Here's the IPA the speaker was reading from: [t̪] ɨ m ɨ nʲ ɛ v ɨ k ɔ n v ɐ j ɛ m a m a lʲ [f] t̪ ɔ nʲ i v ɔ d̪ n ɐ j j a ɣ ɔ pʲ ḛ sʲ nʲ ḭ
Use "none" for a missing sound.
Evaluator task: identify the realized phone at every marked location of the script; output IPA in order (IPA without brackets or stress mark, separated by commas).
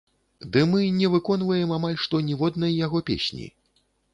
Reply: d̪, ʂ